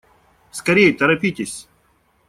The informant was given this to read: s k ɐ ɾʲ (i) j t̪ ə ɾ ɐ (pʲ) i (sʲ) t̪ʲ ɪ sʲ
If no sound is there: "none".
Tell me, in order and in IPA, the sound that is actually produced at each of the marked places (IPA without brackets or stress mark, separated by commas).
e, pʲ, none